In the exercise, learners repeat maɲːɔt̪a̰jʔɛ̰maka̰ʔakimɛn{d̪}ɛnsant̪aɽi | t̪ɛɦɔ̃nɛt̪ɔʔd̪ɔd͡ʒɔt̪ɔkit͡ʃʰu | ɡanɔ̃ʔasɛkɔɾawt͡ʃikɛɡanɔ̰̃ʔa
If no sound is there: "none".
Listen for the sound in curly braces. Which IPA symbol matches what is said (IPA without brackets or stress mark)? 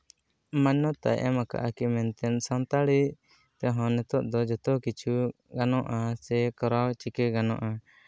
t̪